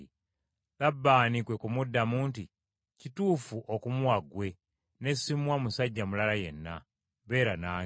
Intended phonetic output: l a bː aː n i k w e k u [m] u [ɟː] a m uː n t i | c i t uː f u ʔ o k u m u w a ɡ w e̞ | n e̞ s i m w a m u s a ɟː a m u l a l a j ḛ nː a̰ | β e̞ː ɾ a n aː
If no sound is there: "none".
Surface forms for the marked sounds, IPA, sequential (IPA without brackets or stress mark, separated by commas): m, dː